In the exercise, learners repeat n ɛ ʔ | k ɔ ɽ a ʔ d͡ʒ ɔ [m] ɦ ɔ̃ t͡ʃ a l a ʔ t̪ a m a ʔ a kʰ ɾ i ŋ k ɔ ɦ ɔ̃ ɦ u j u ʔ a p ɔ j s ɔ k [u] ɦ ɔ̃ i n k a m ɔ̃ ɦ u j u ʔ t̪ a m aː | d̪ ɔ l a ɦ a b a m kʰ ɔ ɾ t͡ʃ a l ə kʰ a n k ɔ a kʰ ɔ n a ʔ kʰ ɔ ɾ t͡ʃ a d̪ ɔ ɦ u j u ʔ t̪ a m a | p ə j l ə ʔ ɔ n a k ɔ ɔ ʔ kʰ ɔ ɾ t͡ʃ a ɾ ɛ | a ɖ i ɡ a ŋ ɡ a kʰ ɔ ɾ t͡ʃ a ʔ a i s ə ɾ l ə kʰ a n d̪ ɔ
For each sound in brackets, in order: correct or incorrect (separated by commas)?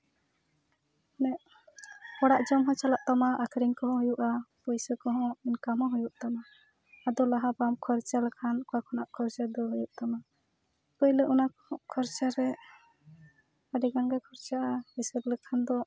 correct, incorrect